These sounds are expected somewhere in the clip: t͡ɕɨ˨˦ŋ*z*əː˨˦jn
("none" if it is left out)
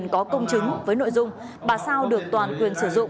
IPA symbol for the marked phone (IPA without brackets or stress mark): v